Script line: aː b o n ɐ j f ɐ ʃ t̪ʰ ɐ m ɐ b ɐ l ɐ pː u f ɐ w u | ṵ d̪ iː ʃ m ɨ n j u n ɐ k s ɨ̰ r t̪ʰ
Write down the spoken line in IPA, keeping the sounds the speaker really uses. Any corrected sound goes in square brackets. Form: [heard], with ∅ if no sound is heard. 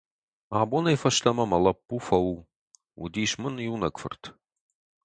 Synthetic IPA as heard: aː b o n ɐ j f ɐ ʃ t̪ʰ ɐ m ɐ [m] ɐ l ɐ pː u f ɐ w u | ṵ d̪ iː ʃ m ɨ n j u n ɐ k [f] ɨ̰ r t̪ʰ